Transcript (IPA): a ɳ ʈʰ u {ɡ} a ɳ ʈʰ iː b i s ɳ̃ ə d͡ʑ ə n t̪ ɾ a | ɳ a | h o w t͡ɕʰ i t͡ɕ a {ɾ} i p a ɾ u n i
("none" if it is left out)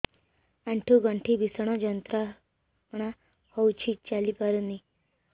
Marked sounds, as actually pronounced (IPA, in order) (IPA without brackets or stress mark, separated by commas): ɡ, l